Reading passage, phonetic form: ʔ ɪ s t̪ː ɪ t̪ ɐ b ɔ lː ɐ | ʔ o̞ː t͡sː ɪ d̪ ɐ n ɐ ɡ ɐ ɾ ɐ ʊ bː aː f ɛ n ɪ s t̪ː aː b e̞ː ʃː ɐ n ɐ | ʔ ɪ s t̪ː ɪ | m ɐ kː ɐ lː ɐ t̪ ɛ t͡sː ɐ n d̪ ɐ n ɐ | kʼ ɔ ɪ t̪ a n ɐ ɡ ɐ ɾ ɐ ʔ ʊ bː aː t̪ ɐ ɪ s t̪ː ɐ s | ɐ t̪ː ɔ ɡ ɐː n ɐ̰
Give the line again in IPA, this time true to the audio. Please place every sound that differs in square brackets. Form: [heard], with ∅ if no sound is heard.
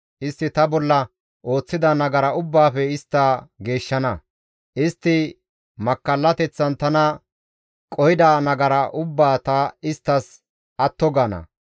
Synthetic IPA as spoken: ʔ ɪ s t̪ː ɪ t̪ ɐ b ɔ lː ɐ | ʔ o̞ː t͡sː ɪ d̪ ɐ n ɐ ɡ ɐ ɾ ɐ ʊ bː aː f ɛ [∅] ɪ s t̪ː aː [ɡ] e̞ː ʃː ɐ n ɐ | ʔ ɪ s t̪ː ɪ | m ɐ kː ɐ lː ɐ t̪ ɛ t͡sː ɐ n [t̪] ɐ n ɐ | kʼ ɔ ɪ [d̪] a n ɐ ɡ ɐ ɾ ɐ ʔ ʊ bː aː t̪ ɐ ɪ s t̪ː ɐ s | ɐ t̪ː ɔ ɡ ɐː n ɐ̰